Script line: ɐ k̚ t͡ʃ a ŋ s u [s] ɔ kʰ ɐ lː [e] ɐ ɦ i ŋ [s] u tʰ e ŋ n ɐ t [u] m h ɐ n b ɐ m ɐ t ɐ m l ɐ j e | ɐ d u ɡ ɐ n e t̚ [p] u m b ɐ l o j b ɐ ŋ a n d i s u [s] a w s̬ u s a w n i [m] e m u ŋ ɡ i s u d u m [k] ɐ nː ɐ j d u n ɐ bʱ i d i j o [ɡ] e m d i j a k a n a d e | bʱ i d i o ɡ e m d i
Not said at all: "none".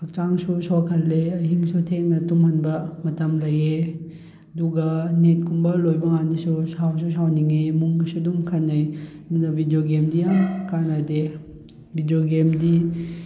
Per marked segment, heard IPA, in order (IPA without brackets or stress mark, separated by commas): s, e, s, u, k, s, ŋ, kʰ, ɡ